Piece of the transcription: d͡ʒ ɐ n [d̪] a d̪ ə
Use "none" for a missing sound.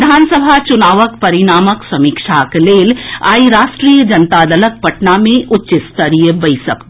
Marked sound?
t̪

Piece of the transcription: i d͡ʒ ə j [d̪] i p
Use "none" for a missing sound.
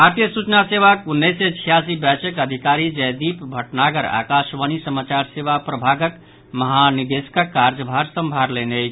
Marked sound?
d̪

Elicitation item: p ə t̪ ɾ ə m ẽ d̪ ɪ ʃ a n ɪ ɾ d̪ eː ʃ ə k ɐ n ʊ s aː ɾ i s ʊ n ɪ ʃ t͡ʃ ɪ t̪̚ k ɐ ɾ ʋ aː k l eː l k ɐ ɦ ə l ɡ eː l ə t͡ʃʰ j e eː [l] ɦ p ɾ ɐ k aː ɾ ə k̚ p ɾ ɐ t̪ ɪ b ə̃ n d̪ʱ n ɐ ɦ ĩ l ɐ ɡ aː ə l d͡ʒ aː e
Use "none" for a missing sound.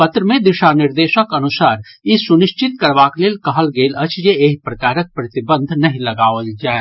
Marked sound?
none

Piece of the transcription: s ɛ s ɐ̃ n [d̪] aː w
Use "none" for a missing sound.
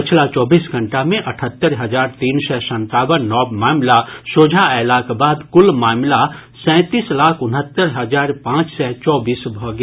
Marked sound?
t̪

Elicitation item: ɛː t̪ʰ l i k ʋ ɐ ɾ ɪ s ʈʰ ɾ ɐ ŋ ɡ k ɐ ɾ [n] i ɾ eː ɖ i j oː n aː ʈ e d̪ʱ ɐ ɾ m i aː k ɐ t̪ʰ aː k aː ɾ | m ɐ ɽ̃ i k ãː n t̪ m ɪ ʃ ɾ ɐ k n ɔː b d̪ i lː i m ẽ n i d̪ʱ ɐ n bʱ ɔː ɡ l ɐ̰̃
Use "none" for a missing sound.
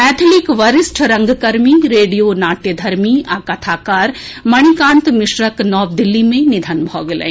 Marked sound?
m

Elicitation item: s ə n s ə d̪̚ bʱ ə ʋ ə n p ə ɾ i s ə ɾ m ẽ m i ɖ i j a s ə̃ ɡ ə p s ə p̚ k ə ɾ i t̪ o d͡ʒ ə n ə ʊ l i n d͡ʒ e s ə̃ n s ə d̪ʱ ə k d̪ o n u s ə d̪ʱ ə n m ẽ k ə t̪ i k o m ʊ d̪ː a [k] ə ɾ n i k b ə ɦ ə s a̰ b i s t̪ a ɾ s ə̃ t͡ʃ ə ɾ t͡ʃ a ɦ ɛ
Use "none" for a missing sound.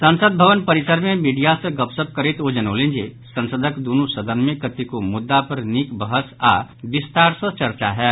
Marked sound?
p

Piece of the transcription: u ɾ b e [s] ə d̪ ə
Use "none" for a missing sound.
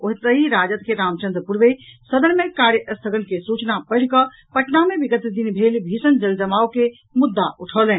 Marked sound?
s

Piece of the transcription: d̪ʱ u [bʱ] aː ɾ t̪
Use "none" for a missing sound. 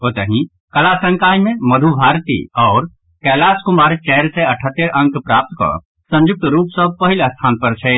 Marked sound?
bʱ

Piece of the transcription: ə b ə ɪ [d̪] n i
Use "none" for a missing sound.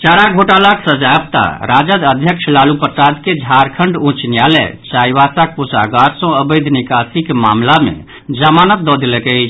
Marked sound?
d̪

